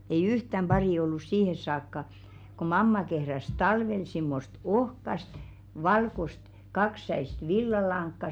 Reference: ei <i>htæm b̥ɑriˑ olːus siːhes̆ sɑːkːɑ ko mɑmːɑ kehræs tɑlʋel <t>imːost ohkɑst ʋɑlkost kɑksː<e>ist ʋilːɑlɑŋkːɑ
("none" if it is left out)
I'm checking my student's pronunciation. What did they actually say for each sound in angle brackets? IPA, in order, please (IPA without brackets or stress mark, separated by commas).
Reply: y, s, æ